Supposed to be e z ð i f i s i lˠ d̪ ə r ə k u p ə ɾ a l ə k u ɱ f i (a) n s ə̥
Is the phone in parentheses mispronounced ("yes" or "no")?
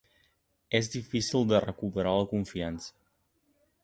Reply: no